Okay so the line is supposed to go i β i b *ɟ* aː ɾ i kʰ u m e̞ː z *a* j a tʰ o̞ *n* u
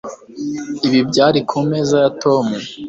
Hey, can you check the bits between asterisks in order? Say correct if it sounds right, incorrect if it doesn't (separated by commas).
correct, correct, incorrect